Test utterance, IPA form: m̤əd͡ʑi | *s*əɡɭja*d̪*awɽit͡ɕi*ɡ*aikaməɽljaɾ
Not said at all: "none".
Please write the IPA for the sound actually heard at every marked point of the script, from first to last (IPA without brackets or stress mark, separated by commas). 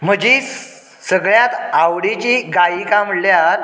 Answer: s, t̪, ɡ